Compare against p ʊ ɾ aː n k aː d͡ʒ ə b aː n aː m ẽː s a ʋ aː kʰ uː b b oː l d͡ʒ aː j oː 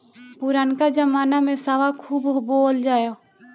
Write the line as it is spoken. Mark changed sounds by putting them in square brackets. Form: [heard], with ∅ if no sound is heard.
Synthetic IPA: p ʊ ɾ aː n k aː d͡ʒ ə [m] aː n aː m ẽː s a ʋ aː kʰ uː b b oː l d͡ʒ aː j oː